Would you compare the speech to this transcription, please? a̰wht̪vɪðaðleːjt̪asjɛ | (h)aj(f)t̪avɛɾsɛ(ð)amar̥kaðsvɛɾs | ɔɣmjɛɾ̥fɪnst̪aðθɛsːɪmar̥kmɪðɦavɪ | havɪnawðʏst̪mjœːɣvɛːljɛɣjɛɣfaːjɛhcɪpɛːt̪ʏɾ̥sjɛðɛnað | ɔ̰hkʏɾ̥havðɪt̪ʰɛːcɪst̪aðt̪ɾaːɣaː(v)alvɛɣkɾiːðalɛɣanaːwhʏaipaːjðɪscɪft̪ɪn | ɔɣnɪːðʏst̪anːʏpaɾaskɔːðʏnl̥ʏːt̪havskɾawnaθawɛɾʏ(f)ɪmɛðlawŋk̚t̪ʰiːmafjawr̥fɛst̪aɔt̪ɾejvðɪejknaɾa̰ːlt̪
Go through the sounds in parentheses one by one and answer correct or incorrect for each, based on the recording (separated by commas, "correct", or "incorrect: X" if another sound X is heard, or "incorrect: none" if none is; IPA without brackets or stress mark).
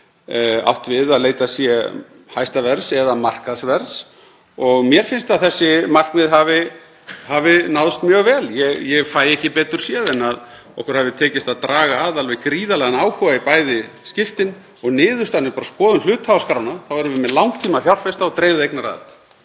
correct, incorrect: s, correct, incorrect: ð, incorrect: v